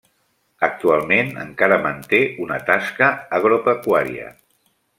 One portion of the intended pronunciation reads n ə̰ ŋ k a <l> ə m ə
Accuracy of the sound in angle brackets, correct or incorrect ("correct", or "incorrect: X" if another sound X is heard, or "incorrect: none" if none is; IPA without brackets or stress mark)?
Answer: incorrect: ɾ